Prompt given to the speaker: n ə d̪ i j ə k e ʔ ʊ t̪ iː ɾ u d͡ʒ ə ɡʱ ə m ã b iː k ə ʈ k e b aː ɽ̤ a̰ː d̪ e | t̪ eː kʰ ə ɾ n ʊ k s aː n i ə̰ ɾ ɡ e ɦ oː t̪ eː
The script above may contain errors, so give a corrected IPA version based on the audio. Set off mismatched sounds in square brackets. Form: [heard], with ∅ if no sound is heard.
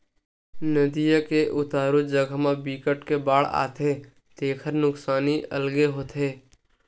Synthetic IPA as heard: n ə d̪ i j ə k e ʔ ʊ t̪ [aː] ɾ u d͡ʒ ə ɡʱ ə m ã b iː k ə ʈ k e b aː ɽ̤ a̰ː [t̪] e | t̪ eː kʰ ə ɾ n ʊ k s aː n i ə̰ [l] ɡ e ɦ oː t̪ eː